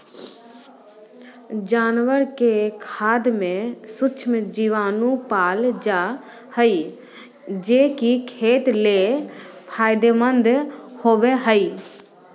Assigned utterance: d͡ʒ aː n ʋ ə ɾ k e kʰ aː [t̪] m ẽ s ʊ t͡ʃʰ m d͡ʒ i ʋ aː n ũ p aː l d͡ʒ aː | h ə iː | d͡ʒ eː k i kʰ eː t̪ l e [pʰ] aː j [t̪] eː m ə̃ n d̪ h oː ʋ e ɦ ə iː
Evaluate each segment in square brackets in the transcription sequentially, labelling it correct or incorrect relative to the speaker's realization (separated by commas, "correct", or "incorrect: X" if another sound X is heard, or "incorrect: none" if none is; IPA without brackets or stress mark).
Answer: incorrect: d̪, correct, incorrect: d̪